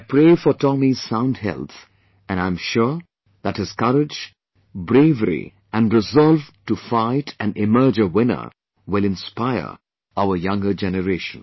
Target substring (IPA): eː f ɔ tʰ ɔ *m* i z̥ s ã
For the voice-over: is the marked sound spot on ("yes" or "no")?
yes